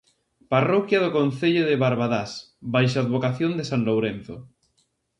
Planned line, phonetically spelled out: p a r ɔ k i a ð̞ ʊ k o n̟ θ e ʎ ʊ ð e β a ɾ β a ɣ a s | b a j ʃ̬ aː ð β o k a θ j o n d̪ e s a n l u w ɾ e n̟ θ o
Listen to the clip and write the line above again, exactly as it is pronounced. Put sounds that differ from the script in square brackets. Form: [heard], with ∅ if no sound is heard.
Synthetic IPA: p a r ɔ k [j] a ð̞ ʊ k o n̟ θ e ʎ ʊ ð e β a ɾ β a [ð] a s | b a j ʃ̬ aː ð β o k a θ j o n d̪ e s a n l [o] w ɾ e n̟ θ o